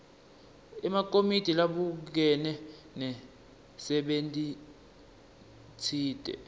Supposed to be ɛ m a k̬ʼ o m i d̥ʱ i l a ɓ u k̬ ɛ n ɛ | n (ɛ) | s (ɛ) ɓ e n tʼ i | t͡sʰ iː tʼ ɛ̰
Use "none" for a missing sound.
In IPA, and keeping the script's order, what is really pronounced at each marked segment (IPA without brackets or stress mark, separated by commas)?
ɛ, ɛ